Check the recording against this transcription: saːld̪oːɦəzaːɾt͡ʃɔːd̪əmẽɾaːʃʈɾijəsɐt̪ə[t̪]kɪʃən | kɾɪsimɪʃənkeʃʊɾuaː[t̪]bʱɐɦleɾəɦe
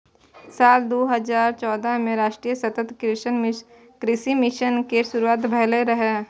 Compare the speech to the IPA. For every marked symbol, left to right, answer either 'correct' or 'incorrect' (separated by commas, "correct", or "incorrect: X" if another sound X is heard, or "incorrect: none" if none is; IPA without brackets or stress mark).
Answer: correct, correct